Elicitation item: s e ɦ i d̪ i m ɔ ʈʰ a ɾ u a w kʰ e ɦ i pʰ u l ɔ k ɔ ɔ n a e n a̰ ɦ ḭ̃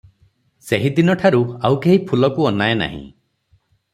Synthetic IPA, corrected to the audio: s e ɦ i d̪ i n ɔ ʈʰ a ɾ u a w k e ɦ i pʰ u l ɔ k u ɔ n a e n a̰ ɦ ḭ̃